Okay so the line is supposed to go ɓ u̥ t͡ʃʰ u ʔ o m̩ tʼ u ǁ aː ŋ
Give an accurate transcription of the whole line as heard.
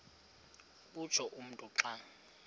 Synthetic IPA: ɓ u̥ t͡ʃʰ ɔ ʔ u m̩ tʼ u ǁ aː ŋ